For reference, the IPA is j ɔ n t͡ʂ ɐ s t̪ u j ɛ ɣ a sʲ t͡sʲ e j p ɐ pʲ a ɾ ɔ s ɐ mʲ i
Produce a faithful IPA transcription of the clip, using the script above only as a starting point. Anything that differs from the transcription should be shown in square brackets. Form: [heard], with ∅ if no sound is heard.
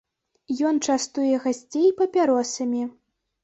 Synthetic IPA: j ɔ n t͡ʂ [a] s t̪ u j ɛ ɣ a sʲ t͡sʲ e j p ɐ pʲ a ɾ ɔ s ɐ mʲ i